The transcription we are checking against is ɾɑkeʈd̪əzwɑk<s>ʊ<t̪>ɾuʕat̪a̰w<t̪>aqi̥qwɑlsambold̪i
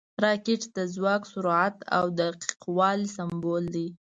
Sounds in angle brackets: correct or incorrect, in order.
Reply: correct, incorrect: none, incorrect: d̪

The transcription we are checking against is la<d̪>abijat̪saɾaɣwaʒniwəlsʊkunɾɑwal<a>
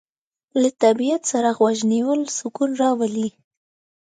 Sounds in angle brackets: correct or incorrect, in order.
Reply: incorrect: t̪, incorrect: i

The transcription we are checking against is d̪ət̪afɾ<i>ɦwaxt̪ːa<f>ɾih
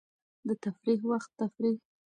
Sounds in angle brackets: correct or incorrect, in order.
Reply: correct, correct

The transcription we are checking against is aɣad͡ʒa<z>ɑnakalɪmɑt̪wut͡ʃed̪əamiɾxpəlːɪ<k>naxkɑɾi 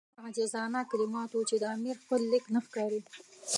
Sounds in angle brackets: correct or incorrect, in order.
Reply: correct, correct

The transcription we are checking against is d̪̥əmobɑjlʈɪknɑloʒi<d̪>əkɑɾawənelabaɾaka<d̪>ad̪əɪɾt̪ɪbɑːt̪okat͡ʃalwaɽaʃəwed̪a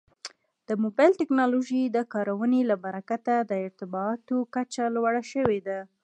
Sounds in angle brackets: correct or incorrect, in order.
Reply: correct, incorrect: t̪

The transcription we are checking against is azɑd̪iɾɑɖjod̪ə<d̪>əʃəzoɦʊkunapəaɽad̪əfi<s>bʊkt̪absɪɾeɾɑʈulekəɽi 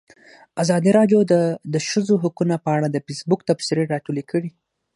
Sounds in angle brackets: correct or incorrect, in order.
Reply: correct, correct

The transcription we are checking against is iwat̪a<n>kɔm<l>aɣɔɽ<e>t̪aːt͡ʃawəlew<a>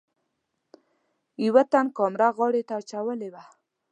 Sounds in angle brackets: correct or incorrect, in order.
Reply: correct, incorrect: ɾ, correct, correct

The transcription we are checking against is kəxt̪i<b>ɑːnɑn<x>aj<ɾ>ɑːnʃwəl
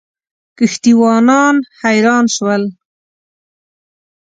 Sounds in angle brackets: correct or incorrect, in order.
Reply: incorrect: w, incorrect: h, correct

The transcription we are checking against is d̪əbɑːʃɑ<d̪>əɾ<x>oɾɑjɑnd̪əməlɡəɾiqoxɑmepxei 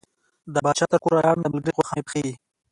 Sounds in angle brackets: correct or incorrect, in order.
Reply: incorrect: t̪, incorrect: k

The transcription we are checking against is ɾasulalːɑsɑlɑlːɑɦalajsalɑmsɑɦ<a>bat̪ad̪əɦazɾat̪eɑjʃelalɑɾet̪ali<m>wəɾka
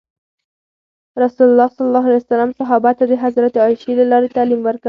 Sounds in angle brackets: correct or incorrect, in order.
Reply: incorrect: ɑ, correct

